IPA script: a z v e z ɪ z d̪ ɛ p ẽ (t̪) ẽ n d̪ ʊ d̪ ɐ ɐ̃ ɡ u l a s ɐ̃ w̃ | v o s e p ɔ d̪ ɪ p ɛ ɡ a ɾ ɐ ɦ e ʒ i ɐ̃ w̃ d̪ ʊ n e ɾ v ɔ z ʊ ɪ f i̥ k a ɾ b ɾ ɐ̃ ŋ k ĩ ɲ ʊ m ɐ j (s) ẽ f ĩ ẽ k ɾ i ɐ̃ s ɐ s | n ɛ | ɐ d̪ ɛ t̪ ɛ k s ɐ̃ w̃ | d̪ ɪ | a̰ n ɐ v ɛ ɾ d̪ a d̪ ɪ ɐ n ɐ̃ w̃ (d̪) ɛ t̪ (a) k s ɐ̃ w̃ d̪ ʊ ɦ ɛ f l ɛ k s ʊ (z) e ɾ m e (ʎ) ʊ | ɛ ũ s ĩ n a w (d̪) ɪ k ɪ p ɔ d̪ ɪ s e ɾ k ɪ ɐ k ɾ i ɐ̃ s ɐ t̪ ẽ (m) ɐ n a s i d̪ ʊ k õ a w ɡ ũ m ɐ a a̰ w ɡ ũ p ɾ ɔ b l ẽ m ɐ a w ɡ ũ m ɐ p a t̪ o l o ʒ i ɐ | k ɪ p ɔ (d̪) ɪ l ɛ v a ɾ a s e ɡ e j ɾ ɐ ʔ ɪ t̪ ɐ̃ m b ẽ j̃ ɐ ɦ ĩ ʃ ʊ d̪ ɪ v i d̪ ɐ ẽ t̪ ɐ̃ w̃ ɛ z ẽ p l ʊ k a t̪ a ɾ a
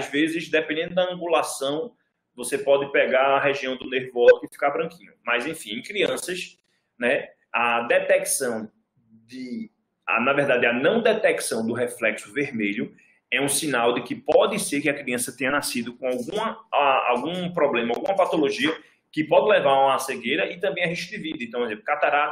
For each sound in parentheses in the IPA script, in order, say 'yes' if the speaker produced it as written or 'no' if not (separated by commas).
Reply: no, no, yes, no, no, yes, yes, no, yes